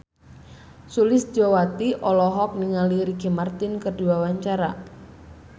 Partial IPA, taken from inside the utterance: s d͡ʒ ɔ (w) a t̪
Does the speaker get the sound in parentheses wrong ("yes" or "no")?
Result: no